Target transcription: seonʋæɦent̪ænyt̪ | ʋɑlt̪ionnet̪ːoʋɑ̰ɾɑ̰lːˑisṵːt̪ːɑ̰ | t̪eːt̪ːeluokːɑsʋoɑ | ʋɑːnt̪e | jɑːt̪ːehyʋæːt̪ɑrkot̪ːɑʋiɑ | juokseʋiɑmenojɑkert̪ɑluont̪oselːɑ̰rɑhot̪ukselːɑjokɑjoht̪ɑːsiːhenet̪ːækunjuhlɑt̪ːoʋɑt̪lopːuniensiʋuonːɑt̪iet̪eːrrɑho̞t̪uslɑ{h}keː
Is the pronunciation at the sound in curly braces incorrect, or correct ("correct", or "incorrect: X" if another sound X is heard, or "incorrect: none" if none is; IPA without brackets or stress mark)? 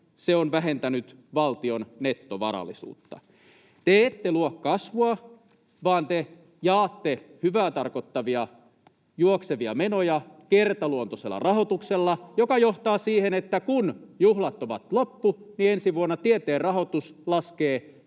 incorrect: s